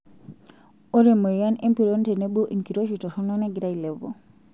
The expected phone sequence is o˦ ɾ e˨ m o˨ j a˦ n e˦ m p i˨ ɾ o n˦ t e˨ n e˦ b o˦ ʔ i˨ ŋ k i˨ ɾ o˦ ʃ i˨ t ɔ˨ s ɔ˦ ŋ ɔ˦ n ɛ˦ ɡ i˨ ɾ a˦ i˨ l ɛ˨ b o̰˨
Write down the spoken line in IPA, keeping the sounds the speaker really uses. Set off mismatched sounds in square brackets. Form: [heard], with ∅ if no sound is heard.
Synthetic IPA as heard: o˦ ɾ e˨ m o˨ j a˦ n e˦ m p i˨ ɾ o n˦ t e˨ n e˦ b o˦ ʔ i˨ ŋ k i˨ ɾ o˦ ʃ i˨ t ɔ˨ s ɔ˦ [n] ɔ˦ n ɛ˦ ɡ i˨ ɾ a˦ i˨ l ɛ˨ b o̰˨